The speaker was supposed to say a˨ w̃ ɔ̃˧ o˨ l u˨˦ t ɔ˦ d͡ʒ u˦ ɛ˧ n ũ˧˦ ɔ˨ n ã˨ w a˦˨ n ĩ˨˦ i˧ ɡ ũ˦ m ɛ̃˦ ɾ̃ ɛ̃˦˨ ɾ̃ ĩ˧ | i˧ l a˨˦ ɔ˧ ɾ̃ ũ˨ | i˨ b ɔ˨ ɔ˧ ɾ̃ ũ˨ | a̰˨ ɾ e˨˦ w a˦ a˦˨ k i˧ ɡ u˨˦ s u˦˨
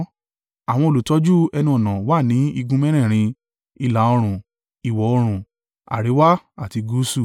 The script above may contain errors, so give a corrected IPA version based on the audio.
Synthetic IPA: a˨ w̃ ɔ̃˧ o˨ l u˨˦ t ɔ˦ d͡ʒ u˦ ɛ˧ n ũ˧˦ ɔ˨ n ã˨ w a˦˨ n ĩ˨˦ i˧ ɡ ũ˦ m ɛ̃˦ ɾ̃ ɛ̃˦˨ ɾ̃ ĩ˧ | i˧ l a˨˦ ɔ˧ ɾ̃ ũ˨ | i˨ w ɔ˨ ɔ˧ ɾ̃ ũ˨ | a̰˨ ɾ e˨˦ w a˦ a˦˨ t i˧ ɡ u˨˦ s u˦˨